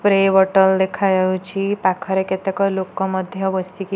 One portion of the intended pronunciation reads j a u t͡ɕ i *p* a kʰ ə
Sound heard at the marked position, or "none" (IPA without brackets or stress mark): p